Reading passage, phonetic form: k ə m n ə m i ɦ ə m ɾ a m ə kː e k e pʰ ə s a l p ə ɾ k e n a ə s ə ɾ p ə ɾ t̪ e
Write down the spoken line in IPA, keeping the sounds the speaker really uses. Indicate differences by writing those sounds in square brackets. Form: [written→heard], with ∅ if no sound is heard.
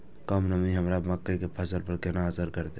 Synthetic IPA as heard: k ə m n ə m i ɦ ə m ɾ a m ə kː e k e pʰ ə s [a→ə] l p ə ɾ k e n a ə s ə ɾ [p→k] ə ɾ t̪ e